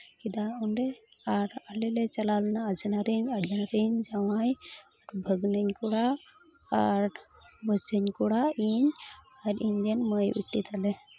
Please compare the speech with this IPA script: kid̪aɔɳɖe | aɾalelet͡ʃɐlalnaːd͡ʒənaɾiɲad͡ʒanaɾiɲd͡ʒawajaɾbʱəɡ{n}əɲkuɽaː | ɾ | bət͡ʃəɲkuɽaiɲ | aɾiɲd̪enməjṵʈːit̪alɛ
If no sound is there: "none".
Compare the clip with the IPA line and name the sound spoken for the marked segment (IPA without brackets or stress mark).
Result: n